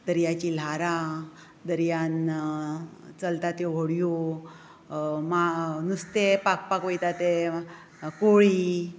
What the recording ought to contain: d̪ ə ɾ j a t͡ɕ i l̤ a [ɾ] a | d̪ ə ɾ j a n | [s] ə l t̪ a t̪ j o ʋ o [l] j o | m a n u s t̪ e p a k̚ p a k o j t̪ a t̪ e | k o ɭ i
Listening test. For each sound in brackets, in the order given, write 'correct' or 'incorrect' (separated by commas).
correct, incorrect, incorrect